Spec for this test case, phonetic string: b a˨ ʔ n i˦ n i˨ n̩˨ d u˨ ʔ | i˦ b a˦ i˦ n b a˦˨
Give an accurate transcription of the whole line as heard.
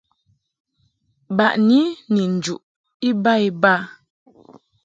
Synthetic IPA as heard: b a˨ ʔ n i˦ n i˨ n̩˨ d͡ʒ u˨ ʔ | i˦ b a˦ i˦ b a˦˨